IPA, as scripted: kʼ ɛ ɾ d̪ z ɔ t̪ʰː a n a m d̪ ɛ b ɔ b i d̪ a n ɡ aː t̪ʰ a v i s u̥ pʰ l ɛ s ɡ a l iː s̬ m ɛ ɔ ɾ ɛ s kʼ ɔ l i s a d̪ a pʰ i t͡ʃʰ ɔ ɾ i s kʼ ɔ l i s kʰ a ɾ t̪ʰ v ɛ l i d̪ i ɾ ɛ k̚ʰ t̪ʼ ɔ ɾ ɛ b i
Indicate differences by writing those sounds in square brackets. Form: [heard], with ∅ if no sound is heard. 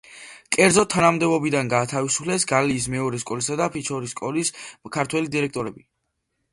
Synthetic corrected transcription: kʼ ɛ ɾ d̪ z ɔ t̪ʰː a n a m d̪ ɛ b ɔ b i d̪ a n ɡ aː t̪ʰ a v i s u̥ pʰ l ɛ s ɡ a l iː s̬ m ɛ ɔ ɾ ɛ s kʼ ɔ l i s a d̪ a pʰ i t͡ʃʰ ɔ ɾ i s kʼ ɔ l i s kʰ a ɾ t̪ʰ [w] ɛ l i d̪ i ɾ ɛ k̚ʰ t̪ʼ ɔ ɾ ɛ b i

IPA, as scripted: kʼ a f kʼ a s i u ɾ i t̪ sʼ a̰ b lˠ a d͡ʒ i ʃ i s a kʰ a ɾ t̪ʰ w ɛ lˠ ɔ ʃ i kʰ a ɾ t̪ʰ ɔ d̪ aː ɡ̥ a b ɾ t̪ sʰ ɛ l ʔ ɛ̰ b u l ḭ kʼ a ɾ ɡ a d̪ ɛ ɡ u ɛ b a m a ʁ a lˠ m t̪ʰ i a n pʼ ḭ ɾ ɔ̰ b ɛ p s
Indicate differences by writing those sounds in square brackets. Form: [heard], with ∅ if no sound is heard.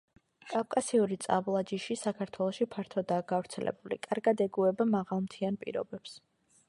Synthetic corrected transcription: kʼ a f kʼ a s i u ɾ i t̪ sʼ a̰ b lˠ a d͡ʒ i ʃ i s a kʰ a ɾ t̪ʰ w ɛ lˠ ɔ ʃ i [pʰ] a ɾ t̪ʰ ɔ d̪ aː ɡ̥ a [v] ɾ t̪ sʰ ɛ l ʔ ɛ̰ b u l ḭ kʼ a ɾ ɡ a d̪ ɛ ɡ u ɛ b a m a ʁ a lˠ m t̪ʰ i a n pʼ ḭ ɾ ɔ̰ b ɛ p s

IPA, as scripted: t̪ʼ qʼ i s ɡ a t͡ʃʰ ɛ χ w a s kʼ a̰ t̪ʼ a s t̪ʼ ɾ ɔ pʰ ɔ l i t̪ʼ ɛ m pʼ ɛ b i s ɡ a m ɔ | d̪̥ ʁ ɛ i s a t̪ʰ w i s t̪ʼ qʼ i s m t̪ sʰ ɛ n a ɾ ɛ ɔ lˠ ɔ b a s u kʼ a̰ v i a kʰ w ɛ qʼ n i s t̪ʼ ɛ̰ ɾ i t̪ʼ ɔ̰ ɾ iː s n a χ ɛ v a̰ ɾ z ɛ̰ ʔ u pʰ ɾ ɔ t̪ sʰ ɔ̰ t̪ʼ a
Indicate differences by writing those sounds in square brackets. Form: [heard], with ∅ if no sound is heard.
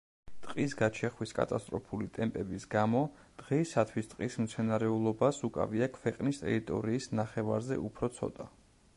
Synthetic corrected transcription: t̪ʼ qʼ i s ɡ a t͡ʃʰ ɛ χ w [i] s kʼ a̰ t̪ʼ a s t̪ʼ ɾ ɔ pʰ [u] l i t̪ʼ ɛ m pʼ ɛ b i s ɡ a m ɔ | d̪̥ ʁ ɛ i s a t̪ʰ w i s t̪ʼ qʼ i s m t̪ sʰ ɛ n a ɾ ɛ [u] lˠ ɔ b a s u kʼ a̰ v i a kʰ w ɛ qʼ n i s t̪ʼ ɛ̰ ɾ i t̪ʼ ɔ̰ ɾ iː s n a χ ɛ v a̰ ɾ z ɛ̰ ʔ u pʰ ɾ ɔ t̪ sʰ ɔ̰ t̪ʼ a

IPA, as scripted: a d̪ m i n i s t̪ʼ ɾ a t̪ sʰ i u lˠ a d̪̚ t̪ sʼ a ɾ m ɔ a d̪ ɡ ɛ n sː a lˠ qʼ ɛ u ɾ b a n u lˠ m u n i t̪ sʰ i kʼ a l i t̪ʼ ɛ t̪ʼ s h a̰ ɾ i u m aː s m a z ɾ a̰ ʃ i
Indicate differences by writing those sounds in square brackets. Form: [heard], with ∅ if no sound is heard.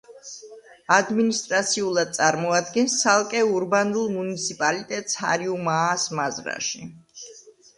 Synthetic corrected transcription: a d̪ m i n i s t̪ʼ ɾ a t̪ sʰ i u lˠ a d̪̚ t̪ sʼ a ɾ m ɔ a d̪ ɡ ɛ n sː a lˠ [kʼ] ɛ u ɾ b a n u lˠ m u n i t̪ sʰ i [pʼ] a l i t̪ʼ ɛ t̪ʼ s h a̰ ɾ i u m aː s m a z ɾ a̰ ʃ i

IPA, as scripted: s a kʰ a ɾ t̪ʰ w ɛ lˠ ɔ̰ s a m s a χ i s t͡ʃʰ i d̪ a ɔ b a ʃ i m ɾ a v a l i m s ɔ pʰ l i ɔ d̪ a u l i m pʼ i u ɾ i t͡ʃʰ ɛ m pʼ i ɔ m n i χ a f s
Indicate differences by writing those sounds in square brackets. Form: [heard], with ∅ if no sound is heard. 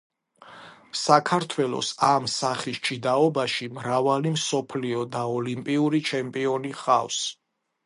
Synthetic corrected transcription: s a kʰ a ɾ t̪ʰ w ɛ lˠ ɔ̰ s a m s a χ i s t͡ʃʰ i d̪ a ɔ b a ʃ i m ɾ a v a l i m s ɔ pʰ l i ɔ d̪ a [ɔ] l i m pʼ i u ɾ i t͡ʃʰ ɛ m pʼ i ɔ [∅] n i χ a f s

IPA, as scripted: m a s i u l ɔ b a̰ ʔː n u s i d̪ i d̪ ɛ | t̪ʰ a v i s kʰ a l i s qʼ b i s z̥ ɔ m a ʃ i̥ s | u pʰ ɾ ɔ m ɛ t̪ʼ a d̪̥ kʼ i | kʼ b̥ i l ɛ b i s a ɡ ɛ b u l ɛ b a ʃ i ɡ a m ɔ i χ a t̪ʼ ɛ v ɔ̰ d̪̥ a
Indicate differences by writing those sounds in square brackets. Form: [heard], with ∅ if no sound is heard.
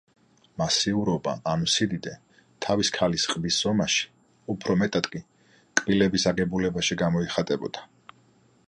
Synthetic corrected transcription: m a s i u [ɾ] ɔ b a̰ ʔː n u s i d̪ i d̪ ɛ | t̪ʰ a v i s kʰ a l i s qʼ b i s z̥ ɔ m a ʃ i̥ [∅] | u pʰ ɾ ɔ m ɛ t̪ʼ a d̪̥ kʼ i | kʼ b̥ i l ɛ b i s a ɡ ɛ b u l ɛ b a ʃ i ɡ a m ɔ i χ a t̪ʼ ɛ [b] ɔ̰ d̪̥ a

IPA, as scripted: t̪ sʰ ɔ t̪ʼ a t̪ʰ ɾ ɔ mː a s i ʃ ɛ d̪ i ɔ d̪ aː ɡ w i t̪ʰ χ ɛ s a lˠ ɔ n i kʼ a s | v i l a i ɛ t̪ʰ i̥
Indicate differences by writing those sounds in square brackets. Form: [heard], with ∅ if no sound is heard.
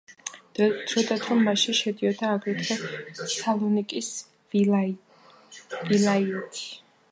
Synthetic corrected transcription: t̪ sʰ ɔ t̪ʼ a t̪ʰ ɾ ɔ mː a [ʃ] i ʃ ɛ d̪ i ɔ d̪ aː ɡ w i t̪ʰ χ ɛ s a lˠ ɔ n i kʼ [i] s | v i l a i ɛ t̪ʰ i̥

